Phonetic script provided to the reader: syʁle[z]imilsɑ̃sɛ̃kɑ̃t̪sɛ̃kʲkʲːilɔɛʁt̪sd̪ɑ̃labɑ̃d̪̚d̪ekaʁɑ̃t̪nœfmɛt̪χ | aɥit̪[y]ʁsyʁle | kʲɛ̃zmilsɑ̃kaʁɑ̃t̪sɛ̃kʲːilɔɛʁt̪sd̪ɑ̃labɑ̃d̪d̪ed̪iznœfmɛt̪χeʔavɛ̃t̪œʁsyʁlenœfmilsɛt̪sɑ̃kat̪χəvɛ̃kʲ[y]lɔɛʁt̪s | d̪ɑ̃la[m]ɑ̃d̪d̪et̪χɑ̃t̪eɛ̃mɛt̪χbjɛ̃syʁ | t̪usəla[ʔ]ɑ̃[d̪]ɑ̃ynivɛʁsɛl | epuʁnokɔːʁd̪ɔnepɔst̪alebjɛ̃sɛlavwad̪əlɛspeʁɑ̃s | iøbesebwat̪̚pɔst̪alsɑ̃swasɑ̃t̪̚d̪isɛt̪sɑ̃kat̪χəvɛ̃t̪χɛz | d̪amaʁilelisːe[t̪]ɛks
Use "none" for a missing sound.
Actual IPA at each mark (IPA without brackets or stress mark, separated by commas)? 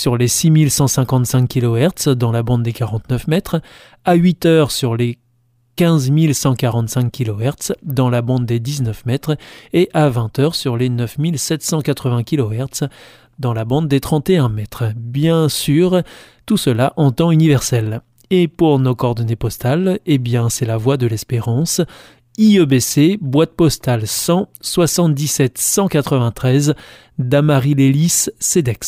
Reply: s, œ, i, b, ʔ, t̪, d̪